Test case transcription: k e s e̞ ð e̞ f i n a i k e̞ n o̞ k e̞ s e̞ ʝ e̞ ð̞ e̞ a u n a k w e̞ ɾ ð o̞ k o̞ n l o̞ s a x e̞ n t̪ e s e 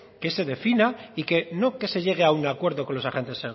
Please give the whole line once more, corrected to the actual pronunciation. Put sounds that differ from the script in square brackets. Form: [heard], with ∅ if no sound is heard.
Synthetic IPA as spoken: k e s e̞ ð e̞ f i n a i k e̞ n o̞ k e̞ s e̞ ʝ e̞ [ɣ̞] e̞ a u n a k w e̞ ɾ ð o̞ k o̞ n l o̞ s a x e̞ n t̪ e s e